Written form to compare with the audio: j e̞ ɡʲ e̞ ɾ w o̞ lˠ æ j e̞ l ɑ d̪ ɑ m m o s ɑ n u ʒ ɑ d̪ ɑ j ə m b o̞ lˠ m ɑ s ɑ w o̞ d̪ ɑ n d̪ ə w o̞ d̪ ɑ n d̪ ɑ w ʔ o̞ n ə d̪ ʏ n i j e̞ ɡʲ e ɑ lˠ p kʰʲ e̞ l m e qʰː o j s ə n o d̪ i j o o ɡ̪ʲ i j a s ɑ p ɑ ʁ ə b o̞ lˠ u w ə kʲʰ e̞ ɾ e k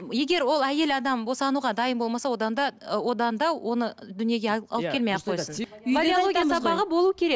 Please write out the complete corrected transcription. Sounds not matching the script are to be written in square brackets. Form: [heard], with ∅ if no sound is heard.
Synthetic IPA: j e̞ ɡʲ e̞ ɾ w o̞ lˠ æ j e̞ l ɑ d̪ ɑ m [b] o s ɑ n u [ʁ] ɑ d̪ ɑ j ə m b o̞ lˠ m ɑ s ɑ w o̞ d̪ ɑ n d̪ [ɑ] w o̞ d̪ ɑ n d̪ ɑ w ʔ o̞ n ə d̪ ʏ n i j e̞ ɡʲ e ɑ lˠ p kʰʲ e̞ l m e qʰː o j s ə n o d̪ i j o o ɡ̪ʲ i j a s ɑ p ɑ ʁ ə b o̞ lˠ u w ə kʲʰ e̞ ɾ e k